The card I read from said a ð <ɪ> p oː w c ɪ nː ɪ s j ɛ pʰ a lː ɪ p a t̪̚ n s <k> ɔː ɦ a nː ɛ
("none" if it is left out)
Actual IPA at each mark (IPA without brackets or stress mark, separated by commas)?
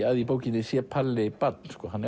i, k